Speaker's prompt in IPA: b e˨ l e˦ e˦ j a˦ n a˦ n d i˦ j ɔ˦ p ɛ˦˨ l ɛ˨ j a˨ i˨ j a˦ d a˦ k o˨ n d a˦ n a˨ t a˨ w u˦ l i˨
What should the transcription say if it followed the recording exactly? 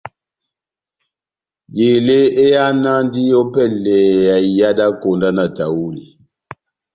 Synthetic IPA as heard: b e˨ l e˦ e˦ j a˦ n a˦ n d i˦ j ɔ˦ p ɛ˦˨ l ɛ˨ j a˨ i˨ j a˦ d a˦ k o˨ n d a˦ n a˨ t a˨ w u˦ l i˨